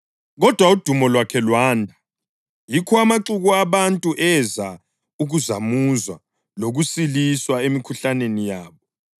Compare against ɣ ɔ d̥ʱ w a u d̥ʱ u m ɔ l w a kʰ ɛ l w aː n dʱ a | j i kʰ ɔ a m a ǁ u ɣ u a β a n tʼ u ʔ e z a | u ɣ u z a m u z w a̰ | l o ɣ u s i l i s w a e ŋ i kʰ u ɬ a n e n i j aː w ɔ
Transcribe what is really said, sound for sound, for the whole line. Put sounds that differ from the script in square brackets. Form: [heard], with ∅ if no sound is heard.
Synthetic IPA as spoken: ɣ ɔ d̥ʱ w a u d̥ʱ u m ɔ l w a kʰ ɛ l w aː n dʱ a | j i kʰ ɔ a m a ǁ u ɣ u a β a n tʼ u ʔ [ɛ] z a | u ɣ u z a m u z w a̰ | l o ɣ u s i l i s w a e [m] i kʰ u ɬ a n e n i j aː [β] ɔ